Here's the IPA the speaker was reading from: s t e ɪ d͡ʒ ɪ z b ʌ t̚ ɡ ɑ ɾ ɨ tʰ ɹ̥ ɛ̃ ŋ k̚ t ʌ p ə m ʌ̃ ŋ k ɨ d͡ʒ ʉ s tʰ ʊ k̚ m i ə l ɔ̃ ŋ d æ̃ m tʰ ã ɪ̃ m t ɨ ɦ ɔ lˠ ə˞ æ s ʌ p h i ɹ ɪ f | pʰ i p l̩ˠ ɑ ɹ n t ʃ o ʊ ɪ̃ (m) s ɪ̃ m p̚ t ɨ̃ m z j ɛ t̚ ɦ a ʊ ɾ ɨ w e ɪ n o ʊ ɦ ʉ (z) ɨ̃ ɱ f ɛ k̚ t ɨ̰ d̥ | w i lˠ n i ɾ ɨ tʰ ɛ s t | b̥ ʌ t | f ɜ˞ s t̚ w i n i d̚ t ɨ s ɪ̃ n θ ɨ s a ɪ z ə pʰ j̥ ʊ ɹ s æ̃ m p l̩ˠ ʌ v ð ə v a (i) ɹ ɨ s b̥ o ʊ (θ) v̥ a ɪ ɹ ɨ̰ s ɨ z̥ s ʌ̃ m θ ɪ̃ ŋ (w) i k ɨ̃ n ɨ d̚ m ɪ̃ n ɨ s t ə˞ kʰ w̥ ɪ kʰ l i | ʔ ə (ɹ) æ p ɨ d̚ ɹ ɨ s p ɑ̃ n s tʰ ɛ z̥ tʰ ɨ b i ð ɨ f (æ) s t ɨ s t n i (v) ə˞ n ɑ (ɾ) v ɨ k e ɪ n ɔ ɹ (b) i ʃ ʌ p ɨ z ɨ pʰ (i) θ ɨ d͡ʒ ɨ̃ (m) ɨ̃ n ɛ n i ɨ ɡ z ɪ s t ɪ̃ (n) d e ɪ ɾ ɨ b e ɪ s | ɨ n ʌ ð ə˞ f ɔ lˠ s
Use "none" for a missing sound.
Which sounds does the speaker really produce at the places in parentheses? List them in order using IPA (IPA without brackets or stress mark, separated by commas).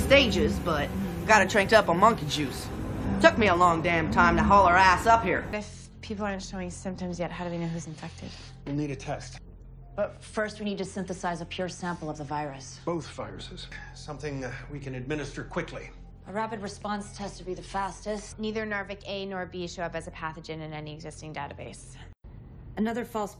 ŋ, z, ɪ, θ, w, ɹ, æ, ð, ɹ, b, æ, n, ŋ